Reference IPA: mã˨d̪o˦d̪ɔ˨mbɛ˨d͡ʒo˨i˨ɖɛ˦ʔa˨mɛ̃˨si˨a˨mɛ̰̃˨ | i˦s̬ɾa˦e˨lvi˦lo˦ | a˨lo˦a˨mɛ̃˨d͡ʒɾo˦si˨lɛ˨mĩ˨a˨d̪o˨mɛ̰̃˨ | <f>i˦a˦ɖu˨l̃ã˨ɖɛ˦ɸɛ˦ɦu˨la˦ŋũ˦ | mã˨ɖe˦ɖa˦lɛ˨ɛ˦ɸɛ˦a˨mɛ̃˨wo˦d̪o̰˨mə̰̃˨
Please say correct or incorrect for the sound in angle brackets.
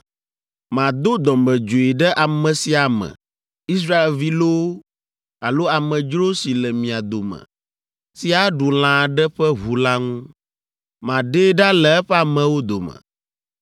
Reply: incorrect: s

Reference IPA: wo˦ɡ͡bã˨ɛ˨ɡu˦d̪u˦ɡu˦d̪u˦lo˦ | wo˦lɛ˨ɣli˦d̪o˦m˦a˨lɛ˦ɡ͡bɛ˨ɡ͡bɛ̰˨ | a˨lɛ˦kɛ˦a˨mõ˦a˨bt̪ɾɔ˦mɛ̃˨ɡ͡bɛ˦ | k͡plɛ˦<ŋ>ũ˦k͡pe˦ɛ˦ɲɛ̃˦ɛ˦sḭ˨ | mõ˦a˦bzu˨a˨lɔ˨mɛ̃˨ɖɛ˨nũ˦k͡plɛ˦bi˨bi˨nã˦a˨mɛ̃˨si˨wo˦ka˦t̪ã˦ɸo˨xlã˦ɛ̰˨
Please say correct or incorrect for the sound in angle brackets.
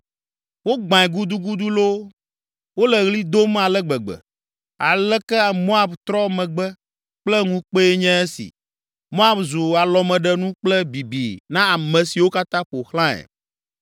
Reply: correct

